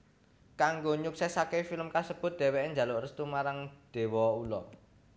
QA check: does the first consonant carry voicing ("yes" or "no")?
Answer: no